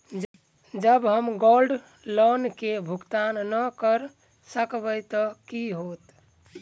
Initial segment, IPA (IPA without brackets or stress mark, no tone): d͡ʒ